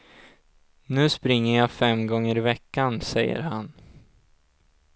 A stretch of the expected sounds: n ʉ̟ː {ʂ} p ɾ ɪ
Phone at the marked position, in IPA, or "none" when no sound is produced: s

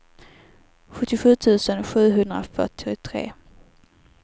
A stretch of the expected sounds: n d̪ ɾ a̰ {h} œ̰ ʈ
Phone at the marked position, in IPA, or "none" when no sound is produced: f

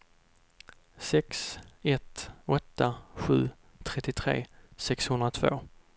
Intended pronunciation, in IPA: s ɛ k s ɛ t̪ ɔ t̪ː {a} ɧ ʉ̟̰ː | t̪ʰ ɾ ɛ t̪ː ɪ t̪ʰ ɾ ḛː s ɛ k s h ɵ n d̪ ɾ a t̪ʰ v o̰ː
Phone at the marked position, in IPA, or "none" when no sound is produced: a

